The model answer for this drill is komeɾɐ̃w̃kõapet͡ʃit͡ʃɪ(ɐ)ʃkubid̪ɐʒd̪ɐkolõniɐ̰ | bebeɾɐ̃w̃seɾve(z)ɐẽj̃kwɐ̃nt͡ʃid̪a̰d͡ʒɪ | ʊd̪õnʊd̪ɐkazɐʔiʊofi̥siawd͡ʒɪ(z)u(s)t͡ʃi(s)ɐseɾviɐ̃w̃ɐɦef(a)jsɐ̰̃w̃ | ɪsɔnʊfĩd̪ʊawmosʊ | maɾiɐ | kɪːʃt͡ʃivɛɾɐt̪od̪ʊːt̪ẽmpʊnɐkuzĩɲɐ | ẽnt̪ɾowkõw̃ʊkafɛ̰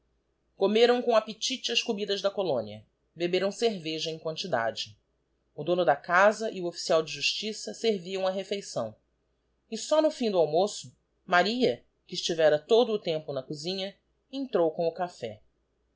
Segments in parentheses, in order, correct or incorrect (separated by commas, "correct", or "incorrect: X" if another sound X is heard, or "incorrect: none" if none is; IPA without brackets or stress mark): correct, incorrect: ʒ, incorrect: ʒ, incorrect: ʃ, correct, incorrect: e